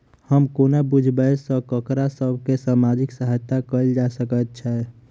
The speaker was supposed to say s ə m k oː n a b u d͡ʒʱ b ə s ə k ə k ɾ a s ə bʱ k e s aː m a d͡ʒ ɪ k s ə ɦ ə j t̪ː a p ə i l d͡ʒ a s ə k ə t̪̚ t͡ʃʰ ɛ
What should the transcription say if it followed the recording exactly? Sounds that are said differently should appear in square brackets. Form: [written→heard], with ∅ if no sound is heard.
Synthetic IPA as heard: [s→h] ə m k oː n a b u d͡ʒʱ b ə s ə k ə k ɾ a s ə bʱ k e s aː m a d͡ʒ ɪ k s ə ɦ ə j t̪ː a [p→k] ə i l d͡ʒ a s ə k ə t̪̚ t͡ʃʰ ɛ